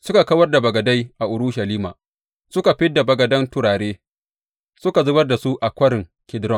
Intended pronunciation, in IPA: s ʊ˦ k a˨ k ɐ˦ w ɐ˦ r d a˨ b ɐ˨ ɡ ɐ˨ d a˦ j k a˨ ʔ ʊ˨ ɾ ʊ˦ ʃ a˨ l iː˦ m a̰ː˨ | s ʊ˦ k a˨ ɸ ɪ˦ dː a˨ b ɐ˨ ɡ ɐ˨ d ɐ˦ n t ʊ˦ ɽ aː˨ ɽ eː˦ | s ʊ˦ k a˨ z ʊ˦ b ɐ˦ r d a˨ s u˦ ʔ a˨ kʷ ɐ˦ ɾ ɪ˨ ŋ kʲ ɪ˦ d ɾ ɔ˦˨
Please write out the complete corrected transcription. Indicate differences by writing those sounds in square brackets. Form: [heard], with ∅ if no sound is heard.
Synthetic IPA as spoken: s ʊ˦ k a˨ k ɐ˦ w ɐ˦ r d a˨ b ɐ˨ ɡ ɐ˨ d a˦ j [ʔ] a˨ ʔ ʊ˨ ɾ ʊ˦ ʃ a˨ l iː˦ m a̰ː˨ | s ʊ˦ k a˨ ɸ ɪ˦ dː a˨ b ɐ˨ ɡ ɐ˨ d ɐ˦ n t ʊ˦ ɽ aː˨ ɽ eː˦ | s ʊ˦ k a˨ z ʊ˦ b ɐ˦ r d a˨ s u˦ ʔ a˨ kʷ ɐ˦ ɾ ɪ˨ ŋ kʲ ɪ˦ d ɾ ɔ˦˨